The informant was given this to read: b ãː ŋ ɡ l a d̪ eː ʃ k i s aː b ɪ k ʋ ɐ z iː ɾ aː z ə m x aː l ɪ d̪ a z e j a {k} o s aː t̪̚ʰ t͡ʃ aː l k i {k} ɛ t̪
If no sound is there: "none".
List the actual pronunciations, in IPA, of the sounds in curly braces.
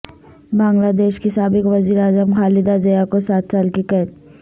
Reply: k, k

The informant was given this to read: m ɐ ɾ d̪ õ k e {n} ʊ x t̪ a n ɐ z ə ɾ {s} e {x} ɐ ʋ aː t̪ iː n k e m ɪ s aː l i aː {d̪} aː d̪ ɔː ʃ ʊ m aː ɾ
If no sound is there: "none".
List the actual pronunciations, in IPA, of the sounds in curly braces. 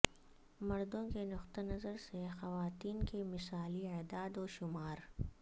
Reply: n, s, x, d̪

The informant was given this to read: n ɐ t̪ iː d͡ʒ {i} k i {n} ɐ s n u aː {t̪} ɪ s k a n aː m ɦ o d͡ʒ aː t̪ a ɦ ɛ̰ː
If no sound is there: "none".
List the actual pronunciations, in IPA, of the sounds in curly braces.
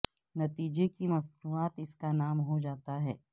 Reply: e, m, t̪

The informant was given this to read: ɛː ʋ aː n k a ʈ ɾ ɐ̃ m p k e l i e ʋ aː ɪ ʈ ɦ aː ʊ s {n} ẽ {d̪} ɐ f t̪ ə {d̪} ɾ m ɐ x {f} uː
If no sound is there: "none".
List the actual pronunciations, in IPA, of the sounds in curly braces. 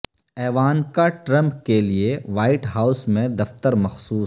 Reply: m, d̪, none, s

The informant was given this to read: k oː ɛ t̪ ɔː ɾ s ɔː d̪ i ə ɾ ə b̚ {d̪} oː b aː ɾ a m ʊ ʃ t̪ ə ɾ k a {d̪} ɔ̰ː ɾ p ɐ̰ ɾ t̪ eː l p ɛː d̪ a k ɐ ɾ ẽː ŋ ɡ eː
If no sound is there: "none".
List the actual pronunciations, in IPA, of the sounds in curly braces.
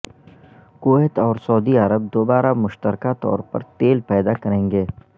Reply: d̪, t̪

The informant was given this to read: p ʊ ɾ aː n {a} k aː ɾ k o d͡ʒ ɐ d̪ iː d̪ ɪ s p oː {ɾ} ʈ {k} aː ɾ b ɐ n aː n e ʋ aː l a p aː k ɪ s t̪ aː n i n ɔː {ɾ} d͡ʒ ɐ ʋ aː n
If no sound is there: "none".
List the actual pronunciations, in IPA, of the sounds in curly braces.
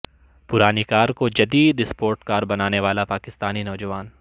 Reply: i, ɾ, k, none

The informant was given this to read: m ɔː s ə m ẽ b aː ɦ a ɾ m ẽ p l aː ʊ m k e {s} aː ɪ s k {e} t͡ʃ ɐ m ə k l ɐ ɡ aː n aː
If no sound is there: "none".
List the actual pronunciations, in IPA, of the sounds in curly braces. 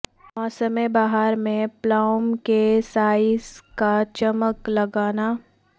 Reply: s, a

